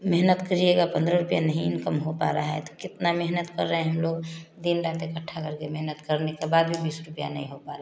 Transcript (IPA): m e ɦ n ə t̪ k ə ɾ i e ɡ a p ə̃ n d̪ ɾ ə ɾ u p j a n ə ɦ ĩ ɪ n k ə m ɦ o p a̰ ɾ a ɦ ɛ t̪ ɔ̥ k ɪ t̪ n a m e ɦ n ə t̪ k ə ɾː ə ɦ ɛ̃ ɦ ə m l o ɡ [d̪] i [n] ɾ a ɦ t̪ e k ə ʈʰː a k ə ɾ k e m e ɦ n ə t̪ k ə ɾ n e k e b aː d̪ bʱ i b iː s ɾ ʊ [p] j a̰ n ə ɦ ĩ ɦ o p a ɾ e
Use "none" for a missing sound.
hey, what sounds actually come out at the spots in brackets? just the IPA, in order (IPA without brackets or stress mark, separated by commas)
d̪, n, p